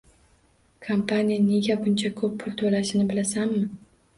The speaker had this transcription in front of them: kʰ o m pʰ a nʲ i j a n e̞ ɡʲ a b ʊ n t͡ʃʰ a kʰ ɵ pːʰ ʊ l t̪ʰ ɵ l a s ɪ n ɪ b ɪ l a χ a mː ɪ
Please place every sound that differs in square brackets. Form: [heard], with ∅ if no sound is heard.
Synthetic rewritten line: kʰ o m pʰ a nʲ i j a n e̞ ɡʲ a b ʊ n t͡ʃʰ a kʰ ɵ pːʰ ʊ l t̪ʰ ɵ l a [ʃ] ɪ n ɪ b ɪ l a [s] a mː ɪ